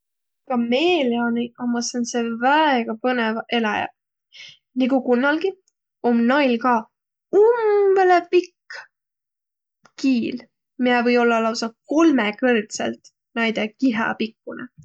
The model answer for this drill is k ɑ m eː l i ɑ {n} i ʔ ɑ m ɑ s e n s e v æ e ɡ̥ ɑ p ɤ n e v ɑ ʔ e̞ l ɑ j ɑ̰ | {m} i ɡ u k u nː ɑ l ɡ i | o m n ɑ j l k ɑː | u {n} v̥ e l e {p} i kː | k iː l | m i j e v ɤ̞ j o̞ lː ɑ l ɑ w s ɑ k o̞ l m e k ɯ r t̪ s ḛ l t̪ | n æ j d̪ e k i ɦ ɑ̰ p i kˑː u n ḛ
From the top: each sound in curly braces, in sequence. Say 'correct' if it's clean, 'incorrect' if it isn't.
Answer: correct, incorrect: n, incorrect: m, correct

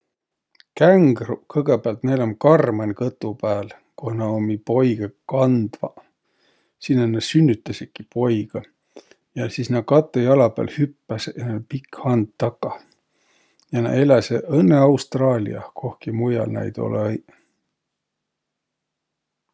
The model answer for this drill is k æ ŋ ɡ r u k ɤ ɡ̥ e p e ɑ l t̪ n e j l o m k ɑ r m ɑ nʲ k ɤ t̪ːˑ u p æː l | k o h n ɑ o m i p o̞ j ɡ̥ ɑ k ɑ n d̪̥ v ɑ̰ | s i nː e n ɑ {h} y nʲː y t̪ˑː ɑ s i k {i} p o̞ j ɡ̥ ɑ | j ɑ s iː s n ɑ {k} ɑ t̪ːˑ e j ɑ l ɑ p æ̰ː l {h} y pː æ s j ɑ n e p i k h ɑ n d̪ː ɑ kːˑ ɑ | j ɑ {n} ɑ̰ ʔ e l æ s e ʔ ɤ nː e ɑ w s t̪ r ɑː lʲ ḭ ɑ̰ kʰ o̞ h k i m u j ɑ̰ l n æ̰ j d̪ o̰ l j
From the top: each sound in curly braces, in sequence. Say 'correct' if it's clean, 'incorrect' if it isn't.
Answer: incorrect: s, correct, correct, correct, correct

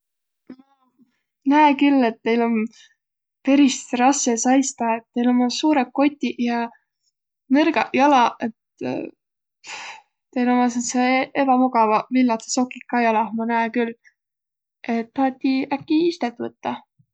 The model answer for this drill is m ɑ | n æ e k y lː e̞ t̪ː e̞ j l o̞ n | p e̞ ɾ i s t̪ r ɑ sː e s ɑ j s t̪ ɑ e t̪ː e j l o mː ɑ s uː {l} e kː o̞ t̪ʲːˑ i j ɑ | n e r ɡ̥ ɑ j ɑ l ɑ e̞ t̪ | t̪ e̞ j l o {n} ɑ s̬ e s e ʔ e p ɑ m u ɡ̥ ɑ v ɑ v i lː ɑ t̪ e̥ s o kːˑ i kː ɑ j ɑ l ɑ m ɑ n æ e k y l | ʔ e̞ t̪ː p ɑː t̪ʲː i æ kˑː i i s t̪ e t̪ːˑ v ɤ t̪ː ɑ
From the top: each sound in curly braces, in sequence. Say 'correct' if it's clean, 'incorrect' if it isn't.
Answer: incorrect: ɾ, incorrect: m

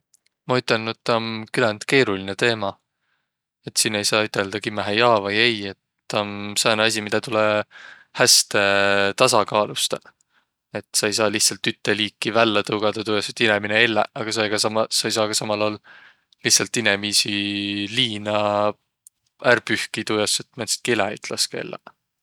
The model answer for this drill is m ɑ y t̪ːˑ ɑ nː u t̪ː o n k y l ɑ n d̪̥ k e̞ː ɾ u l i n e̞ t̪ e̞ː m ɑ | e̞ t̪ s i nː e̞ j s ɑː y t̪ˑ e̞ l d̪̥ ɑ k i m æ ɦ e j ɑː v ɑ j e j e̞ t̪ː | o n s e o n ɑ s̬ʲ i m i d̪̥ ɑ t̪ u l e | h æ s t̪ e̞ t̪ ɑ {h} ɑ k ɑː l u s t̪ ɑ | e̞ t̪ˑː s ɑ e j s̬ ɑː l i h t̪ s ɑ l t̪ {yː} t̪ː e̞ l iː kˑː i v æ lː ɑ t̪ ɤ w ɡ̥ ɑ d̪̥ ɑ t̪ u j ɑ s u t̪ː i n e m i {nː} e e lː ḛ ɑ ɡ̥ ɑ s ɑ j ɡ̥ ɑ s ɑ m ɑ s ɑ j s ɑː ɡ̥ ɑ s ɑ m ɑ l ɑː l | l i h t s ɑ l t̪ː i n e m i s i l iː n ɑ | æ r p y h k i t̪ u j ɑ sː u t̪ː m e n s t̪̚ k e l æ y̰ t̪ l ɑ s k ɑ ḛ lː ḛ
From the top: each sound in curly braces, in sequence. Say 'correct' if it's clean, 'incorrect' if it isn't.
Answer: incorrect: s, incorrect: y, incorrect: n

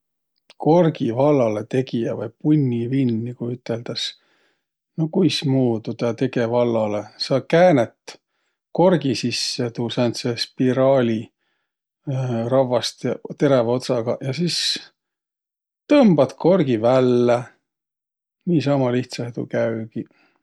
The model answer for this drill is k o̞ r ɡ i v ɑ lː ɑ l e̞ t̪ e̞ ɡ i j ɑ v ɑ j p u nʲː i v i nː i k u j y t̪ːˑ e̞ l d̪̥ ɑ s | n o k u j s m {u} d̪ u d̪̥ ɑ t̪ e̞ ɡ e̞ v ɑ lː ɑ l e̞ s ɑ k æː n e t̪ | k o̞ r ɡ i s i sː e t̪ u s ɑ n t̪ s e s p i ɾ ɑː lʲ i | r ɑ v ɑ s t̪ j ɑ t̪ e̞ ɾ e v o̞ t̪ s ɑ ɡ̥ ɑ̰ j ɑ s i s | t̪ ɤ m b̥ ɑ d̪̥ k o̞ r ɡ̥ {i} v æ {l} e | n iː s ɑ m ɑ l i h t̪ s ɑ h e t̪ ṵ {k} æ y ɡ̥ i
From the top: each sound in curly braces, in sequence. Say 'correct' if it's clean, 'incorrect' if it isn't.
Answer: incorrect: uː, correct, incorrect: lː, correct

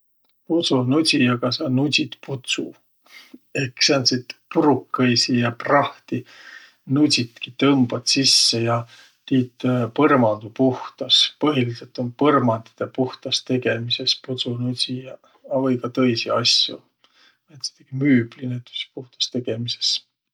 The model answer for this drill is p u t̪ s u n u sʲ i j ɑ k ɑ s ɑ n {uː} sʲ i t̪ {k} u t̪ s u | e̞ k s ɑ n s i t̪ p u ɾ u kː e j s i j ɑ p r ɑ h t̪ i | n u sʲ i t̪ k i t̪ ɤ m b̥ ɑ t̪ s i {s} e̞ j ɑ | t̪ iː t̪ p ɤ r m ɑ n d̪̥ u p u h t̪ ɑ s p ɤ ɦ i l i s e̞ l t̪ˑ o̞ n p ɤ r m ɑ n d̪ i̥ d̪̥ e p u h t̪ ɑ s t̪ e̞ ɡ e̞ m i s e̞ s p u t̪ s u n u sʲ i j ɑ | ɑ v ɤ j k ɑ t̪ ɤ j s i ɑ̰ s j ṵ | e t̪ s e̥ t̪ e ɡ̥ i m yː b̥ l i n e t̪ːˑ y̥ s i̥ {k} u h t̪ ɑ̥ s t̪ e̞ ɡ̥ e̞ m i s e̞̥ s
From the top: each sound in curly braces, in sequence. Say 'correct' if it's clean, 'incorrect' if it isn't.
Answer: incorrect: u, incorrect: p, incorrect: sː, incorrect: p

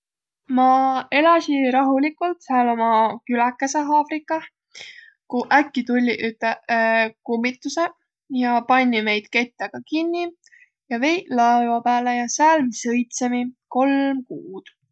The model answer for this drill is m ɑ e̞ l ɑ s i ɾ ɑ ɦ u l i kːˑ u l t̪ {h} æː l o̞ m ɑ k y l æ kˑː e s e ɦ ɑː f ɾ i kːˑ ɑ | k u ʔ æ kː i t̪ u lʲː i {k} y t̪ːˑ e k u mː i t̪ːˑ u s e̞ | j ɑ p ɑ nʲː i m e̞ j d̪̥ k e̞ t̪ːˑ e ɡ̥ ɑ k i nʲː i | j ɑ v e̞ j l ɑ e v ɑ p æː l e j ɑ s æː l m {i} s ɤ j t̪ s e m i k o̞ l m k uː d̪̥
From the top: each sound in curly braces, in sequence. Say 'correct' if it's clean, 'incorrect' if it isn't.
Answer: incorrect: s, incorrect: ʔ, correct

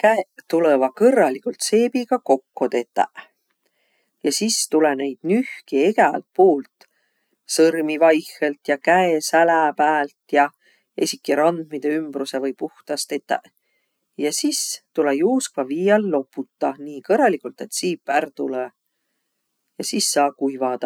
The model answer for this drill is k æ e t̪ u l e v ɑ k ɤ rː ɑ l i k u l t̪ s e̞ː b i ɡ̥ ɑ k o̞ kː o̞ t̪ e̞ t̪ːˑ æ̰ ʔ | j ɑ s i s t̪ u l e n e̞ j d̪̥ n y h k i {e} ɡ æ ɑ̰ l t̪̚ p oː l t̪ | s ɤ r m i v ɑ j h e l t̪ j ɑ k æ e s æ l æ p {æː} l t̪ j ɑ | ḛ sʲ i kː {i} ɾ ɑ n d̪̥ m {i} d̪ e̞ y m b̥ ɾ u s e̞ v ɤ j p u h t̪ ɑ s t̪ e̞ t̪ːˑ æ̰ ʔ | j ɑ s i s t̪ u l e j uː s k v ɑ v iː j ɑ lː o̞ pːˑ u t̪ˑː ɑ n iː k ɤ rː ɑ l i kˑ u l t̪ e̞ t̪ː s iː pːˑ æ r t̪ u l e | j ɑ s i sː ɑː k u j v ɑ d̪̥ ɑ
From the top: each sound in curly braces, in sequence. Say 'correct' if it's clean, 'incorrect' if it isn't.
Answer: correct, correct, correct, correct

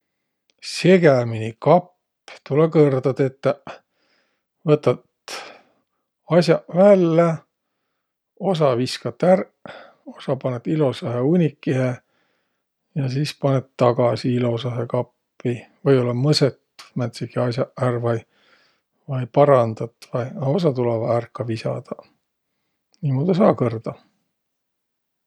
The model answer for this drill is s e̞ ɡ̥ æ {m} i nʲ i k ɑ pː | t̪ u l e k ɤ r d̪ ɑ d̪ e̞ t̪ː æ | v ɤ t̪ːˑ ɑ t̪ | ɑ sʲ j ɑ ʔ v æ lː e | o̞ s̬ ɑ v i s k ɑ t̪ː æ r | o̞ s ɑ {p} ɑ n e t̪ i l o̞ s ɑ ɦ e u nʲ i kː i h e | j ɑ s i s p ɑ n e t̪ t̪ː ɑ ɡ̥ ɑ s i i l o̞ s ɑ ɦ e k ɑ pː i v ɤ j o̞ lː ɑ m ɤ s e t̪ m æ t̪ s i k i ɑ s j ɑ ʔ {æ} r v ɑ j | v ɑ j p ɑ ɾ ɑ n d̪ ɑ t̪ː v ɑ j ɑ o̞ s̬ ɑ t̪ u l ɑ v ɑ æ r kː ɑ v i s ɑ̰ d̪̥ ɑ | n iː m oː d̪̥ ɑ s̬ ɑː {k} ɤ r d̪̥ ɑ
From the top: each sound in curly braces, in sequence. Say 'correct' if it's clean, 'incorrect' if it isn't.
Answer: correct, correct, correct, correct

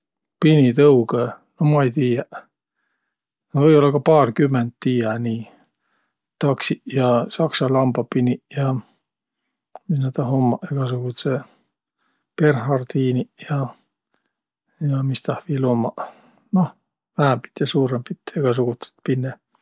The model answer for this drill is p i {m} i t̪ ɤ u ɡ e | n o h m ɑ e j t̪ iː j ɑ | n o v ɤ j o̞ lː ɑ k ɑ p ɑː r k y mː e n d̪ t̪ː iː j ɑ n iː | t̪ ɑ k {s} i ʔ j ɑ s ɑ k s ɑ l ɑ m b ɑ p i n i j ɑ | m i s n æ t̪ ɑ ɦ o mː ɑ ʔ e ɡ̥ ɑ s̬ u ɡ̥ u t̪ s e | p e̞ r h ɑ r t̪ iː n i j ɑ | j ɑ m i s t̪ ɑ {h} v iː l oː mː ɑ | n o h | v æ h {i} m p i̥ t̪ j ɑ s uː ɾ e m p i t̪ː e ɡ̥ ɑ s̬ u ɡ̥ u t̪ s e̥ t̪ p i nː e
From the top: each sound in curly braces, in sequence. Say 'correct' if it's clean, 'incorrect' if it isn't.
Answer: incorrect: n, correct, correct, incorrect: æ

